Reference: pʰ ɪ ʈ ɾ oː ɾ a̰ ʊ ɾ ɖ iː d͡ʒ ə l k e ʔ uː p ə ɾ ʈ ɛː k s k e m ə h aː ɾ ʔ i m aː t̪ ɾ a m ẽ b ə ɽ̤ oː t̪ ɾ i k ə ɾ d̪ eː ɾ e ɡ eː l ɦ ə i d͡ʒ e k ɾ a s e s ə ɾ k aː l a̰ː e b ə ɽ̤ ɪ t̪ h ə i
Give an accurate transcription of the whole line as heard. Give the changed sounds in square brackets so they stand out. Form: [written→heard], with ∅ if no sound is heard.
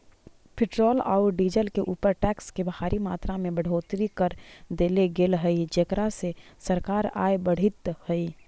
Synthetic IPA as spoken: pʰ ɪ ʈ ɾ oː [ɾ→l] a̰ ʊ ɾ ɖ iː d͡ʒ ə l k e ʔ uː p ə ɾ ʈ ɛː k s k e [m→b] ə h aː ɾ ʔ i m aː t̪ ɾ a m ẽ b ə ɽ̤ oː t̪ ɾ i k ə ɾ d̪ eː [ɾ→l] e ɡ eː l ɦ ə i d͡ʒ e k ɾ a s e s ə ɾ k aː [l→ɾ] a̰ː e b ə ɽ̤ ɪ t̪ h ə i